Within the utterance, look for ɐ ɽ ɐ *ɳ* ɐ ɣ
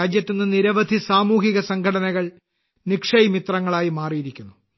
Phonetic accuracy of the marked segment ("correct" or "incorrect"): incorrect